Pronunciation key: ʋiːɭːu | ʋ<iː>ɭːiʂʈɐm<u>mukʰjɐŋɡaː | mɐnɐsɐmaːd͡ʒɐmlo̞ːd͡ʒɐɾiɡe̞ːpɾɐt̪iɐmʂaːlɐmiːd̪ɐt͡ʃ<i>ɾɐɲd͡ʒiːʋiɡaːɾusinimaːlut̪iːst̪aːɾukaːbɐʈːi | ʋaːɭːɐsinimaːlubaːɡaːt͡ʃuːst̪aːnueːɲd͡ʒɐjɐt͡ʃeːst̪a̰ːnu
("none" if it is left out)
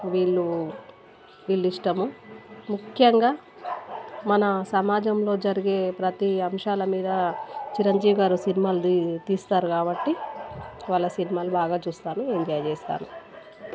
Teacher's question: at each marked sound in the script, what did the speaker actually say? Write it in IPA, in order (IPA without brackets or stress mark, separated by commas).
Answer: iː, u, i